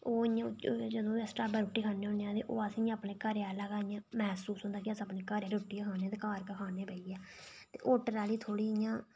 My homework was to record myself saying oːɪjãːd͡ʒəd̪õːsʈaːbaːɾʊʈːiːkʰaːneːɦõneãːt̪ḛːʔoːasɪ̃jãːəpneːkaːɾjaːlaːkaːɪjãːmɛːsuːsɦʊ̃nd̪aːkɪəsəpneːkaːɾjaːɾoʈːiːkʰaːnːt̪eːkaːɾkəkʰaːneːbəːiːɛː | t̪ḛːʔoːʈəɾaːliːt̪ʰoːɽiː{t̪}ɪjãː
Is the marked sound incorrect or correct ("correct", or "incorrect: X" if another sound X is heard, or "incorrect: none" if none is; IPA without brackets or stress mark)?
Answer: incorrect: none